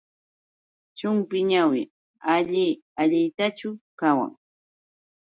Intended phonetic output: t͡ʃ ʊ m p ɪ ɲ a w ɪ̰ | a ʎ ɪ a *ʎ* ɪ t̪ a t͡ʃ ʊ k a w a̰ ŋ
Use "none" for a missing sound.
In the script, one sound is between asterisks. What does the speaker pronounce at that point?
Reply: ʎ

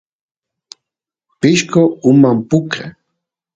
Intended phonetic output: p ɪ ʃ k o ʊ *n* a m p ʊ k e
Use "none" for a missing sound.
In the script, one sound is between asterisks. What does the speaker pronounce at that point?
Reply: m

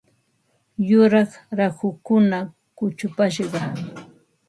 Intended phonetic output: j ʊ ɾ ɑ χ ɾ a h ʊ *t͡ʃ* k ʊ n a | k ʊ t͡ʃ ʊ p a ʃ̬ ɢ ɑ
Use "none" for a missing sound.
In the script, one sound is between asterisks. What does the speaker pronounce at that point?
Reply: none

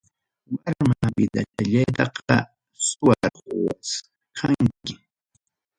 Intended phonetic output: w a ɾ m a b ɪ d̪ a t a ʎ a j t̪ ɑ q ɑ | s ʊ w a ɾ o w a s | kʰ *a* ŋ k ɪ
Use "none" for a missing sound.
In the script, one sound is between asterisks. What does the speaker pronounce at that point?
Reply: a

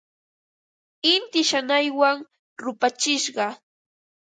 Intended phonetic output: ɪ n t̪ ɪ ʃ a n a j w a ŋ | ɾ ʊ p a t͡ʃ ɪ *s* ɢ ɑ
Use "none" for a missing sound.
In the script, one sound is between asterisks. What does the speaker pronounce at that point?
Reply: ʃ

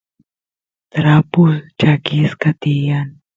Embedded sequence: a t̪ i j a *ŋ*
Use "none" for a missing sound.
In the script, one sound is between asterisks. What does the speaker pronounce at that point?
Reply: n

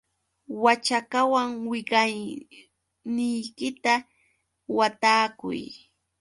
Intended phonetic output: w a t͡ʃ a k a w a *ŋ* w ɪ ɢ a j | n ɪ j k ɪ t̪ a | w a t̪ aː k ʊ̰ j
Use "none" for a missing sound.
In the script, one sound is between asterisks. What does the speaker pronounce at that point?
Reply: ŋ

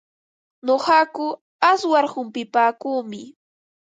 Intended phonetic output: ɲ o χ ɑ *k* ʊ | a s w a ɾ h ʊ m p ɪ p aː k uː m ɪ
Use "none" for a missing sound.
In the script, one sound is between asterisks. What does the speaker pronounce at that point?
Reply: k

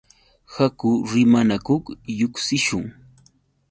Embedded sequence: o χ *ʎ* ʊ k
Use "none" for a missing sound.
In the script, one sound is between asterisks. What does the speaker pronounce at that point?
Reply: j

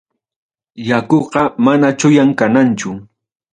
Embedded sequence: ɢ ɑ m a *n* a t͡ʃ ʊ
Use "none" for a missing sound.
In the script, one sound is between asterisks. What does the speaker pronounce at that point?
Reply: n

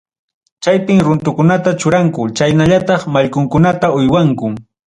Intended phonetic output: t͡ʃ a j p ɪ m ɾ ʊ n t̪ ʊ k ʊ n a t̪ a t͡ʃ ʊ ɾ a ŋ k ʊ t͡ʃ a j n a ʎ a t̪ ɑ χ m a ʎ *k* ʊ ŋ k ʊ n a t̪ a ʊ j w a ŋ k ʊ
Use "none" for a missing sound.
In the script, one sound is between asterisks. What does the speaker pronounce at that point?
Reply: k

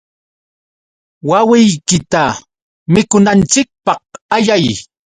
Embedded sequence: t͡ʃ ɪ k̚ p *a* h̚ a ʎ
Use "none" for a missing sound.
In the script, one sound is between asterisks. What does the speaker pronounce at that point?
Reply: ɑ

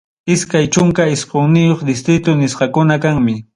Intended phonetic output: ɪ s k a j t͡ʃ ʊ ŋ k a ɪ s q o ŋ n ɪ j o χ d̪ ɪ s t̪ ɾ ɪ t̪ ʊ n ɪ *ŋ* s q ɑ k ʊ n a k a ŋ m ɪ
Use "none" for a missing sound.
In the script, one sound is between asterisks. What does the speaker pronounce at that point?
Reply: none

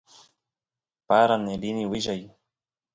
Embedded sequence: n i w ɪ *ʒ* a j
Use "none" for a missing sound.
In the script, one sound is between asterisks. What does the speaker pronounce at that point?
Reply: ʒ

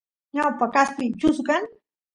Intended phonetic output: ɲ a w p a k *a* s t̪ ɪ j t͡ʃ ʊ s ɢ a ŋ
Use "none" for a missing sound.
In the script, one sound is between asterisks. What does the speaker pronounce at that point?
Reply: a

